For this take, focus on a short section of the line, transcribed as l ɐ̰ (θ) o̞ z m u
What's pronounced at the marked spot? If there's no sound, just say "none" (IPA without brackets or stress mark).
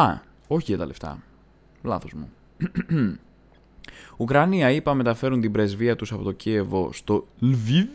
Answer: θ